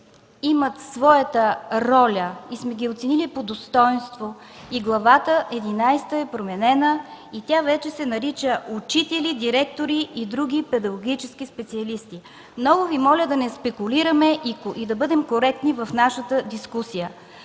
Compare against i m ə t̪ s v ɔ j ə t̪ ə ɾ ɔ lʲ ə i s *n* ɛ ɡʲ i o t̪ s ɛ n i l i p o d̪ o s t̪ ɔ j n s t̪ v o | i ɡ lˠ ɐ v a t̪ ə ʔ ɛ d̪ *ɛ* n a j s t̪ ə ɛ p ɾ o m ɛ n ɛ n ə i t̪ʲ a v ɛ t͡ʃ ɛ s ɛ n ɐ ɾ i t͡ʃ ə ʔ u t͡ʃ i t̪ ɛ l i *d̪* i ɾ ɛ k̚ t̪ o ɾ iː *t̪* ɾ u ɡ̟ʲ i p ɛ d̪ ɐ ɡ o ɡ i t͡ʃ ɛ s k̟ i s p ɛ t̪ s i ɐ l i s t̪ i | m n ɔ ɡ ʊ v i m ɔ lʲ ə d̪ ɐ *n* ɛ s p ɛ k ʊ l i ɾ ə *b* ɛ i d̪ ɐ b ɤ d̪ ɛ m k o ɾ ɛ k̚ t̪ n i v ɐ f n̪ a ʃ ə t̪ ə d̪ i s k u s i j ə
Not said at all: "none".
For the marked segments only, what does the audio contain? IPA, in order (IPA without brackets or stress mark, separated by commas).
m, i, d̪, d̪, n, m